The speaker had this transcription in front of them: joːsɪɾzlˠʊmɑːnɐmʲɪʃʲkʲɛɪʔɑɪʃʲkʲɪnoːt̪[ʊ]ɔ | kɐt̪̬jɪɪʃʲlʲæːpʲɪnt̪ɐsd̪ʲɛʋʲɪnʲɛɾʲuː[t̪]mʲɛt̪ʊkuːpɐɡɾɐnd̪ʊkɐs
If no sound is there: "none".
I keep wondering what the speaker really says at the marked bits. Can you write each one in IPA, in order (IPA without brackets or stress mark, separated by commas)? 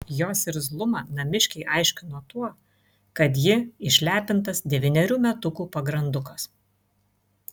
u, none